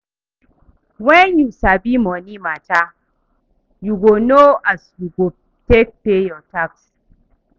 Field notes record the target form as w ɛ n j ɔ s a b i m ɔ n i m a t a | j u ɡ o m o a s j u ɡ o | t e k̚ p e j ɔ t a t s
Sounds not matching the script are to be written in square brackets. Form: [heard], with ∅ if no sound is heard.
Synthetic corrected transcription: w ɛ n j [u] s a b i m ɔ n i m a t a | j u ɡ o [n] o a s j u ɡ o | t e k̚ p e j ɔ t a [k] s